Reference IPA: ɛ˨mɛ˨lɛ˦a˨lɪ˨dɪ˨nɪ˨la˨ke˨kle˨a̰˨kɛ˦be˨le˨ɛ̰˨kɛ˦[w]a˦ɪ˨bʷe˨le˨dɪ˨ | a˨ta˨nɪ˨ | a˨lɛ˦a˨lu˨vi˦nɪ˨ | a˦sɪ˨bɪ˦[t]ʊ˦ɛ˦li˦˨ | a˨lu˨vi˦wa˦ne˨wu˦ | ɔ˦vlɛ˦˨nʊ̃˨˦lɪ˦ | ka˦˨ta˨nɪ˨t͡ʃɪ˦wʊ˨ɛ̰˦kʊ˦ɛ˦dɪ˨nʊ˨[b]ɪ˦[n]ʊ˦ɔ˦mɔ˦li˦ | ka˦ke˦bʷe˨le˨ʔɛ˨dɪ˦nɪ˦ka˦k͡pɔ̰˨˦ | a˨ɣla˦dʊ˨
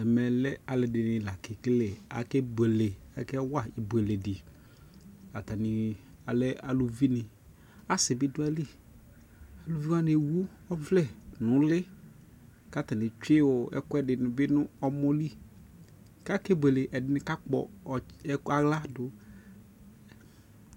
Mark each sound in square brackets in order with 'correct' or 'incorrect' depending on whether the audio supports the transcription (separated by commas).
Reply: correct, incorrect, correct, correct